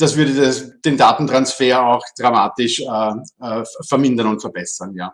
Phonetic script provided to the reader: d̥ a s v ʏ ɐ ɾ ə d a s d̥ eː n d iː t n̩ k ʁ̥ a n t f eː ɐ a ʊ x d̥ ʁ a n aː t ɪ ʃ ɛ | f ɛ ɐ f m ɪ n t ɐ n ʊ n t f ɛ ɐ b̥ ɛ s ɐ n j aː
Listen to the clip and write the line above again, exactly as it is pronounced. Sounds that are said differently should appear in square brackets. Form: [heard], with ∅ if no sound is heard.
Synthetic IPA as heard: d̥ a s v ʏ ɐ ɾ ə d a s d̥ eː n d [aː] t n̩ [t] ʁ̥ a n [s] f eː ɐ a ʊ x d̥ ʁ a [m] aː t ɪ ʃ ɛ | f ɛ ɐ [∅] m ɪ n [d] ɐ n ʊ n t f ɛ ɐ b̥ ɛ s ɐ n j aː